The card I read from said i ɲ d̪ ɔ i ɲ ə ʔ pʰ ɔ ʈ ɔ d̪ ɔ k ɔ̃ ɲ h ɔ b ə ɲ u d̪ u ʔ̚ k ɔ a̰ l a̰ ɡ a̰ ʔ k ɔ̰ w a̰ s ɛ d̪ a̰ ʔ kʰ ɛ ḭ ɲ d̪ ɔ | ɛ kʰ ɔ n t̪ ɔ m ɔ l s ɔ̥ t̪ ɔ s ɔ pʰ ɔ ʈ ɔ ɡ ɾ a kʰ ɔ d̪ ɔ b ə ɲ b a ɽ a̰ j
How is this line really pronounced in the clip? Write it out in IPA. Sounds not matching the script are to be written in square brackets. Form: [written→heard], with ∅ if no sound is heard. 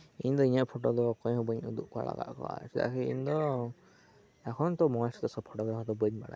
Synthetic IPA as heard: i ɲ d̪ ɔ i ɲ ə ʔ pʰ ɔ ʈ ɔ d̪ ɔ k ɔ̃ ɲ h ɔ b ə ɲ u d̪ u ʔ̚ k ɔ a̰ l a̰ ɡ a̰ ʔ k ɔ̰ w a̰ s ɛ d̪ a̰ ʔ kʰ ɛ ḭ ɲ d̪ ɔ | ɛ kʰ ɔ n t̪ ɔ m ɔ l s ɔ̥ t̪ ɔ s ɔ pʰ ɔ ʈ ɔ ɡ ɾ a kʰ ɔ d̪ ɔ b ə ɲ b a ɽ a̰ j